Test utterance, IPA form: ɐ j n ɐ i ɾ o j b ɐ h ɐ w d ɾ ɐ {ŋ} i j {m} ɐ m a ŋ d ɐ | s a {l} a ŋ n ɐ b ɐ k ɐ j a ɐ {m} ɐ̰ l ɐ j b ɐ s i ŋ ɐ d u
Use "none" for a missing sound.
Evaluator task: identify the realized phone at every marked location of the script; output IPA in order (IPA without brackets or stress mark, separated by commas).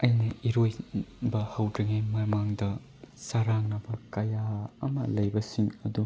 ŋ, m, ɾ, m